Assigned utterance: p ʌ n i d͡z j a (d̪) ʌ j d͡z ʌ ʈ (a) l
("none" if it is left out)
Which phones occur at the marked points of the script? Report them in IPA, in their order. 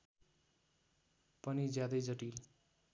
d̪, i

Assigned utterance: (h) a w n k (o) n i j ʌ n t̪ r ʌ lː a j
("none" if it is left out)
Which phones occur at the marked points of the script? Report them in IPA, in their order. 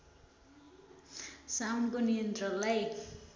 s, o

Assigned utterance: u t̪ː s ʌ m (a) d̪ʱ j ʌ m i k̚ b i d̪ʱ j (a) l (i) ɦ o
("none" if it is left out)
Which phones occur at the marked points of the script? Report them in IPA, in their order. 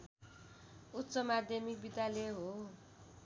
a, a, e

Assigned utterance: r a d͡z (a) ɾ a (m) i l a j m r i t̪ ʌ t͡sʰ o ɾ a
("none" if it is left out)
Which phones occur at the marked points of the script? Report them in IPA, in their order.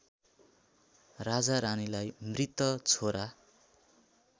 a, n

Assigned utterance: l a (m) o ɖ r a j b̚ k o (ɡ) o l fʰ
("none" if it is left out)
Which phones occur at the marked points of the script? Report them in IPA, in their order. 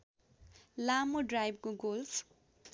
m, ɡ

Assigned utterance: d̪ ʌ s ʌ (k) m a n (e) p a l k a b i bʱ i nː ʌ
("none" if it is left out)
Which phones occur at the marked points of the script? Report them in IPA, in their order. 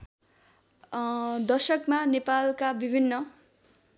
k, e

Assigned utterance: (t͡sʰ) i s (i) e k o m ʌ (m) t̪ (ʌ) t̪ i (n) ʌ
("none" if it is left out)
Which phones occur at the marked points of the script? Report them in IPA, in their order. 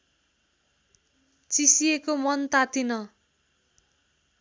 t͡s, i, n, a, n

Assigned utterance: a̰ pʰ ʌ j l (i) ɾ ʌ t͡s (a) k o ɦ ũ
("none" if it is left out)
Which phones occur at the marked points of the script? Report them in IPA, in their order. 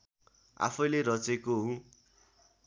e, e

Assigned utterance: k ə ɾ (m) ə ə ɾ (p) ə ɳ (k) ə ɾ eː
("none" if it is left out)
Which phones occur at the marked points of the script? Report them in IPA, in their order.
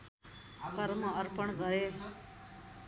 m, p, ɡ

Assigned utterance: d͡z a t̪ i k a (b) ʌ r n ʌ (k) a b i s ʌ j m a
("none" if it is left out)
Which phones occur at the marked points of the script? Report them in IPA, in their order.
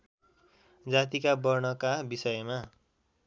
b, k

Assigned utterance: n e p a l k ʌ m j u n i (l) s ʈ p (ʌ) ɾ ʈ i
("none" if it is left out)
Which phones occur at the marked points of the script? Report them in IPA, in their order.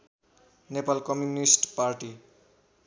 none, a

